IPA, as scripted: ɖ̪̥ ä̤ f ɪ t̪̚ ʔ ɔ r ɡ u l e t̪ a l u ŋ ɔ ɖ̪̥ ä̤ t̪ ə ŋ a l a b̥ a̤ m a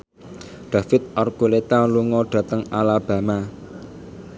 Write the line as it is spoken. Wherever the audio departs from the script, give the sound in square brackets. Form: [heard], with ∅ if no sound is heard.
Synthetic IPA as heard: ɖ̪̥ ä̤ f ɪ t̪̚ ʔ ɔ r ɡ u l e t̪ a l u ŋ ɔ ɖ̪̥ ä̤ t̪ ə ŋ a l a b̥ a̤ m a